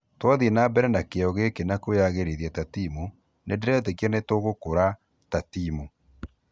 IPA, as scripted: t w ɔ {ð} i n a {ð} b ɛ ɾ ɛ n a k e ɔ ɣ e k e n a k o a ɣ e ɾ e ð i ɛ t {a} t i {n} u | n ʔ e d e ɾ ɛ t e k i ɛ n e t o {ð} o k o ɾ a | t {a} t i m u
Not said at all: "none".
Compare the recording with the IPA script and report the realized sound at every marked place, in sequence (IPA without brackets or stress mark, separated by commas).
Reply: ð, none, a, m, ɣ, a